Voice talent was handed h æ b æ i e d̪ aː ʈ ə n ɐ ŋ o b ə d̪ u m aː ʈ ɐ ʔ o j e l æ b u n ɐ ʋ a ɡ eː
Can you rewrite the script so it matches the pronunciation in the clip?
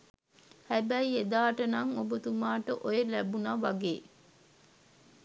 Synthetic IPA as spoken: h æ b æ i e d̪ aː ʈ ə n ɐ ŋ o b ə t̪ u m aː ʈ ə ʔ o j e l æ b u n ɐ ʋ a ɡ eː